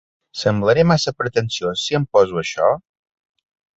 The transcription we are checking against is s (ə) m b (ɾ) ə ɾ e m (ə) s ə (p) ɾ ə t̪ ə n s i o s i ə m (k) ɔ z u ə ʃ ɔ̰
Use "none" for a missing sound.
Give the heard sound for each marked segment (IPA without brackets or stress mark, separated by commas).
ə, l, a, p, p